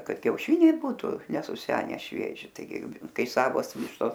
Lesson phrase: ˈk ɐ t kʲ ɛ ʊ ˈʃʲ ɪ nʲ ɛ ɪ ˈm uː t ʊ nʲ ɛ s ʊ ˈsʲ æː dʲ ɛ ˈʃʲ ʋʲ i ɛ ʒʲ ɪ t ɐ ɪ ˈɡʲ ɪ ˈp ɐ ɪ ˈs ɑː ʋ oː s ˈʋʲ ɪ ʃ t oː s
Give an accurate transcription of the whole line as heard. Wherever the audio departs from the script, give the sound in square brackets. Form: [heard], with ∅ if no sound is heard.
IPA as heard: ˈk ɐ t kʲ ɛ ʊ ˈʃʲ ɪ nʲ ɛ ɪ [ˈb] uː t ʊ nʲ ɛ s ʊ ˈsʲ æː [nʲ] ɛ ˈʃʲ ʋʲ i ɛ ʒʲ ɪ t ɐ ɪ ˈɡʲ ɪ [ˈk] ɐ ɪ ˈs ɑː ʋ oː s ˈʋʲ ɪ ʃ t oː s